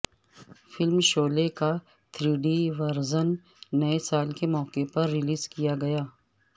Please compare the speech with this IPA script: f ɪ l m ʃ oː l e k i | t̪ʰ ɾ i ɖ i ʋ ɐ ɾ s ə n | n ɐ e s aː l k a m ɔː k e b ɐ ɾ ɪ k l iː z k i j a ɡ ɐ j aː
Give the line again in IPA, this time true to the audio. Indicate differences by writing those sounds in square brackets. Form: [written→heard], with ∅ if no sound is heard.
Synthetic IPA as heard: f ɪ l m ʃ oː l e k [i→a] | t̪ʰ ɾ [i→iː] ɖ i ʋ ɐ ɾ [s→z] ə n | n ɐ e s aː l k [a→e] m ɔː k e [b→p] ɐ [ɾ→ɾː] ɪ [k→∅] l iː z k i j a ɡ ɐ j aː